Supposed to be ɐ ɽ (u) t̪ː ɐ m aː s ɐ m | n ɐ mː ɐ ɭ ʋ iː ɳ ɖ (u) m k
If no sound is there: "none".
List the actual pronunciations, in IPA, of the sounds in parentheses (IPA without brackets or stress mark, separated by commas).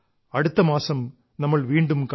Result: ɯ, ɯ